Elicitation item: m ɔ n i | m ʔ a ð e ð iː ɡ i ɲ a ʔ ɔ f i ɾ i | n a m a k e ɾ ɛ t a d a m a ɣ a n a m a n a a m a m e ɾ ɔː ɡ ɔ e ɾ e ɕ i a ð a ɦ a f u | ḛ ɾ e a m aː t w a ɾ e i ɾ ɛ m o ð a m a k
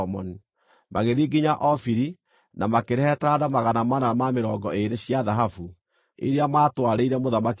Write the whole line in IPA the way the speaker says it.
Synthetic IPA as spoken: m ɔ n i | m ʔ a ɣ e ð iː ɡ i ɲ a ʔ ɔ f i ɾ i | n a m a k e ɾ ɛ t a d a m a ɣ a n a m a n a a m a m e ɾ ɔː ɡ ɔ e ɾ e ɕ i a ð a ɦ a f u | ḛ ɾ e a m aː t w a ɾ e i ɾ ɛ m o ð a m a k